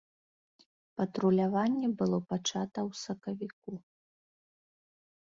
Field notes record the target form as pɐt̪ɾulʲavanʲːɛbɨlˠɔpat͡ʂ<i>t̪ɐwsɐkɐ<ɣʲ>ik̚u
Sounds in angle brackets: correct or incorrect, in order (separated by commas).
incorrect, incorrect